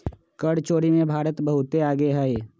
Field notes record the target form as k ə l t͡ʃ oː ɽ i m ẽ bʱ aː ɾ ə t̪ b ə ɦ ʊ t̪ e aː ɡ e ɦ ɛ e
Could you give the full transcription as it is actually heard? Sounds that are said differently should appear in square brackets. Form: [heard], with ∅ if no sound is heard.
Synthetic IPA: k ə [ɽ] t͡ʃ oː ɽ i m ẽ bʱ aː ɾ ə t̪ b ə ɦ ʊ t̪ e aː ɡ e ɦ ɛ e